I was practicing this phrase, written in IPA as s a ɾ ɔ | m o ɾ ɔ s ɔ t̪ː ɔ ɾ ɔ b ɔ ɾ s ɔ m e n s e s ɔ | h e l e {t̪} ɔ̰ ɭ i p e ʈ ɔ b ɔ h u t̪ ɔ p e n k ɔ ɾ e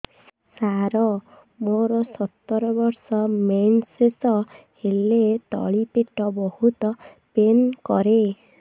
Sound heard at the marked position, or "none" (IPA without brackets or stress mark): t̪